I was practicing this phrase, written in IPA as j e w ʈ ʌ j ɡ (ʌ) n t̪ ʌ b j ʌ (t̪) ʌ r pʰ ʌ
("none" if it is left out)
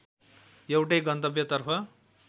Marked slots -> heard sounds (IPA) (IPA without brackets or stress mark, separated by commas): ʌ, t̪